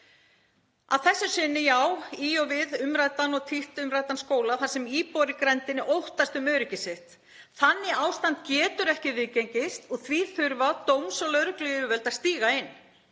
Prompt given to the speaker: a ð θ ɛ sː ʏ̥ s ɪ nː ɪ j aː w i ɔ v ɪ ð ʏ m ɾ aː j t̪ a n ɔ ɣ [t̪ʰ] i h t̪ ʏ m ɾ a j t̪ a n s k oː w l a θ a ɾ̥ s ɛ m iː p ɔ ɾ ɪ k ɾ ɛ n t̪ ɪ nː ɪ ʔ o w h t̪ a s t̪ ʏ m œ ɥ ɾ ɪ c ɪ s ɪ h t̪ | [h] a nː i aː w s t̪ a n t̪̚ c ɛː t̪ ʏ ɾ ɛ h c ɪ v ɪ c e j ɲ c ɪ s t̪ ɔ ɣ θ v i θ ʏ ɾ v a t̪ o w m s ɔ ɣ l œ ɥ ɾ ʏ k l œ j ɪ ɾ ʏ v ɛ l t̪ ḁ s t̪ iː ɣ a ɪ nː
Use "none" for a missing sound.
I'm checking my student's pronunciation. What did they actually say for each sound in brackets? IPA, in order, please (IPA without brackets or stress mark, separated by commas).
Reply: t̪ʰ, θ